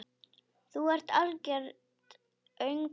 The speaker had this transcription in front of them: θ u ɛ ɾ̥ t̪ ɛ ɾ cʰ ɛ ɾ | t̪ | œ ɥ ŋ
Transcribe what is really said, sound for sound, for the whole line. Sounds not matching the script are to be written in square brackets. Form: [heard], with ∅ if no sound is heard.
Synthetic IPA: θ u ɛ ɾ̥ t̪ [a] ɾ [c] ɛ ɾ | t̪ | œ ɥ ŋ